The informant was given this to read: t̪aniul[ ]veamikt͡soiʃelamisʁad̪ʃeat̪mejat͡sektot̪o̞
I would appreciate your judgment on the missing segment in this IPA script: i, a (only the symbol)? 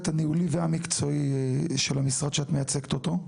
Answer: i